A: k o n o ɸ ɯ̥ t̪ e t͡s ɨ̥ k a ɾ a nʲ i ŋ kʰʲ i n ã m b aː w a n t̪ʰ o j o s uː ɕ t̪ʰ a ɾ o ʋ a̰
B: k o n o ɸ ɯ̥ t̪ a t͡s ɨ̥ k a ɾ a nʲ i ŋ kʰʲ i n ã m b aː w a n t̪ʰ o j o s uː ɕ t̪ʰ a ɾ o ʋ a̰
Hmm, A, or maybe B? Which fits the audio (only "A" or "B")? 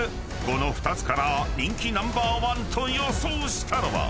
B